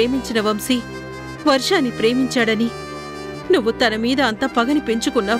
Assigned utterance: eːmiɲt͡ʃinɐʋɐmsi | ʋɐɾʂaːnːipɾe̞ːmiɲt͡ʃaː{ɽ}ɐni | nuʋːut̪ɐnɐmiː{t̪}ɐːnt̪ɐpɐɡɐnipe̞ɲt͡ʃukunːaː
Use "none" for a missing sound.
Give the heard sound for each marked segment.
ɽ, d̪

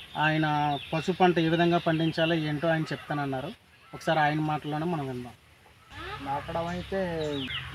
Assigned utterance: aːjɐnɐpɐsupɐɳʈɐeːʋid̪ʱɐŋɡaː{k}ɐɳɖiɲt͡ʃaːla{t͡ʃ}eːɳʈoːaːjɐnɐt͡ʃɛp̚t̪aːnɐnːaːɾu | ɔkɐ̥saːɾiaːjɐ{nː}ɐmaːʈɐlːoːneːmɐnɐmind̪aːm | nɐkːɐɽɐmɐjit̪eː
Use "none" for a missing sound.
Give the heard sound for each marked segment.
p, none, n

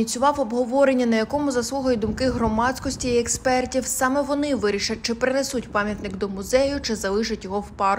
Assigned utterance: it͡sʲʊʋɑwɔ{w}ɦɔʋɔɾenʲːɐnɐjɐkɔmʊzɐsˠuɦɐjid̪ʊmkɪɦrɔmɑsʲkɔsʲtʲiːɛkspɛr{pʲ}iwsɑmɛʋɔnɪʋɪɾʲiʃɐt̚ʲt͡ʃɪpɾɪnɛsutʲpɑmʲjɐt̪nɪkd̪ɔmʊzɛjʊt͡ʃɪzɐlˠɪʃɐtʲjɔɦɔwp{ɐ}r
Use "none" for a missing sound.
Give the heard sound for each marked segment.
b, tʲ, ɑ

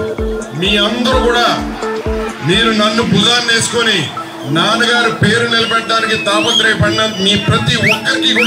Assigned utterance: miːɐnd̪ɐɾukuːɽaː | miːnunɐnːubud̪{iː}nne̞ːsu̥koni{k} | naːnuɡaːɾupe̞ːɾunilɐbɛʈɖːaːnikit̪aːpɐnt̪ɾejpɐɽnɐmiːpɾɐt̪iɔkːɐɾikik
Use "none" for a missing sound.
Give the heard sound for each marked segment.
aː, none

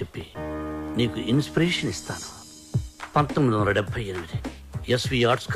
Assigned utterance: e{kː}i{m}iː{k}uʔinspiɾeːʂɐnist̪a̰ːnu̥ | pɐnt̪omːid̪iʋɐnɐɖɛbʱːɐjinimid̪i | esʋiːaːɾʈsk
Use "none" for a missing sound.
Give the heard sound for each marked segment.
pː, n, k

